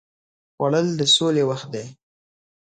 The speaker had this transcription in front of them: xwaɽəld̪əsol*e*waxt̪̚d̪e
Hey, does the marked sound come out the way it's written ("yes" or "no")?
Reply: yes